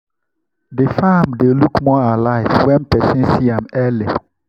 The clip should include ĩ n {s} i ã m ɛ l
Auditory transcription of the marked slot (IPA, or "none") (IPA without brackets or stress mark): s